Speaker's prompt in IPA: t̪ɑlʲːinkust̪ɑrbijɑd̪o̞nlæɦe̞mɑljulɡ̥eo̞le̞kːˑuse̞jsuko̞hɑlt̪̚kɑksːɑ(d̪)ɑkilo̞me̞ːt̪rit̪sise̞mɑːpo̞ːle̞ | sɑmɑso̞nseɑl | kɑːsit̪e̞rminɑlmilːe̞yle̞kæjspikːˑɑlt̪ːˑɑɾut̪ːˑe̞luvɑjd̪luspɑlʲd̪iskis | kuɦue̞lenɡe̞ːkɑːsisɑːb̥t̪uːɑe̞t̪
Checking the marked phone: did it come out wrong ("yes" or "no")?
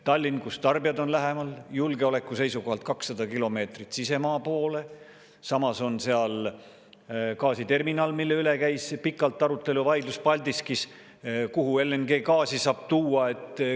no